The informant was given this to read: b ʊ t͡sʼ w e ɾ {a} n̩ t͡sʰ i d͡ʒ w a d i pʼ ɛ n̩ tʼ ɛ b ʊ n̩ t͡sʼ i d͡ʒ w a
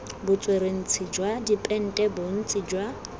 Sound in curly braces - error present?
yes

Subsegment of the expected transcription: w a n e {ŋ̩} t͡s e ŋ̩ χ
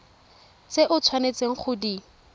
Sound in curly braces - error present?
yes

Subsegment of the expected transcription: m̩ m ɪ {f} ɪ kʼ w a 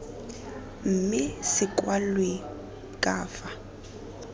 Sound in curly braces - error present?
yes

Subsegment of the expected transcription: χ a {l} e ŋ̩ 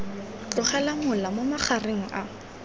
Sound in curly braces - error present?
yes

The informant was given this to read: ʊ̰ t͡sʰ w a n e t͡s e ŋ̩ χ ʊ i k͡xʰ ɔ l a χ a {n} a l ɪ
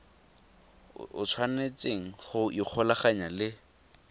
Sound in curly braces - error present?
yes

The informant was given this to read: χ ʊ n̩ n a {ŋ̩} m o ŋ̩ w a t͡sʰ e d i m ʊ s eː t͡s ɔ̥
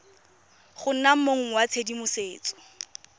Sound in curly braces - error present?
yes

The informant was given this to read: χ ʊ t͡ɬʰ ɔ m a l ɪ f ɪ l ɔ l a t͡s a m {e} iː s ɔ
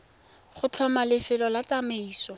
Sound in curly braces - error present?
no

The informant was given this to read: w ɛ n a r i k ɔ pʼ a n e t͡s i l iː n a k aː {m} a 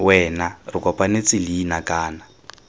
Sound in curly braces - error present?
yes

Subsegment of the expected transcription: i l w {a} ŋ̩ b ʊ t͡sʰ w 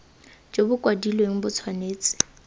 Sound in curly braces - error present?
yes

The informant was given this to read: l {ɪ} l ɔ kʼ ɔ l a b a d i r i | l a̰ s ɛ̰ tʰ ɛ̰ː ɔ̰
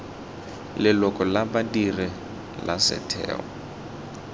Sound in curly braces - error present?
no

